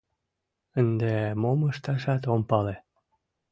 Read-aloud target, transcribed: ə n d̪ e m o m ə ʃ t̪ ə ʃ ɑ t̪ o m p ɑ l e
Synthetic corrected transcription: ə n d̪ e m o m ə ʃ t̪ ɑ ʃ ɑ t̪ o m p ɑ l e